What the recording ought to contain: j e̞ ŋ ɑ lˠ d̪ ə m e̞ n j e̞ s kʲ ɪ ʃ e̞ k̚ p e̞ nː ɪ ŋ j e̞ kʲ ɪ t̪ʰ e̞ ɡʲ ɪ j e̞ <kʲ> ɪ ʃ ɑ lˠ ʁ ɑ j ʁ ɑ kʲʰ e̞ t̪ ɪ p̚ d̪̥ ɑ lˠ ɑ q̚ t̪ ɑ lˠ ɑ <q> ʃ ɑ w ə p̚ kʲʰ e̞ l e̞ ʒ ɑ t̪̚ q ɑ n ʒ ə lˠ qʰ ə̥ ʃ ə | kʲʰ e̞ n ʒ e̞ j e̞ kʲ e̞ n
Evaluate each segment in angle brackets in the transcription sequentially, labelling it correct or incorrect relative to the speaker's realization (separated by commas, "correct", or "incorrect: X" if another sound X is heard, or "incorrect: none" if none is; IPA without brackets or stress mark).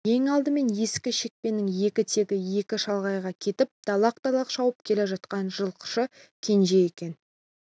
correct, correct